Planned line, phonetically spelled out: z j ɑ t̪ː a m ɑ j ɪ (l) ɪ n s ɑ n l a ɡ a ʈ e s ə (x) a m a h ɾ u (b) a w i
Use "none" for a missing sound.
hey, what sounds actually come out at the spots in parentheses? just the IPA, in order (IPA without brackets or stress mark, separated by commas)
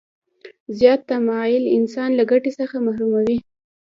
l, x, m